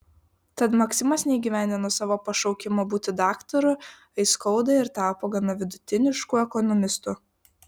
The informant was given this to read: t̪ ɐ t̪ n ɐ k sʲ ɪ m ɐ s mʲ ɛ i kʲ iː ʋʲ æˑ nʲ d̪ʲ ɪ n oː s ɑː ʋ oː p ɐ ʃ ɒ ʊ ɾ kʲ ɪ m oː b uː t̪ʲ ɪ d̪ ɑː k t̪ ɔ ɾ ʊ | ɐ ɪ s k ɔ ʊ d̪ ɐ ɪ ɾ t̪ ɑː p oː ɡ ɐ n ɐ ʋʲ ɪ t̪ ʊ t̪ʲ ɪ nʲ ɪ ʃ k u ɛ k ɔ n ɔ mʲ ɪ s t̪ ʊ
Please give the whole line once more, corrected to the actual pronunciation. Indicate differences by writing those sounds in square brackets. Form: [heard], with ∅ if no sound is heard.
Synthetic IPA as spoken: t̪ ɐ t̪ [m] ɐ k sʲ ɪ m ɐ s [nʲ] ɛ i [ɡʲ] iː ʋʲ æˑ nʲ d̪ʲ ɪ n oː s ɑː ʋ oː p ɐ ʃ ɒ ʊ [∅] kʲ ɪ m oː b uː t̪ʲ ɪ d̪ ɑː k t̪ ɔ ɾ ʊ | ɐ ɪ s k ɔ ʊ d̪ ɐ ɪ ɾ t̪ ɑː p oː ɡ ɐ n ɐ ʋʲ ɪ [d̪] ʊ t̪ʲ ɪ nʲ ɪ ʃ k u ɛ k ɔ n ɔ mʲ ɪ s t̪ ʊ